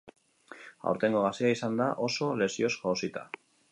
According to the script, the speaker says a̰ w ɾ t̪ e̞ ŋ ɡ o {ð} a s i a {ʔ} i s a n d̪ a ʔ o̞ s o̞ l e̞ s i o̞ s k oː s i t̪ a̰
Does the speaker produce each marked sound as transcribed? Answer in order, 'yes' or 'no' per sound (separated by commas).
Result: no, no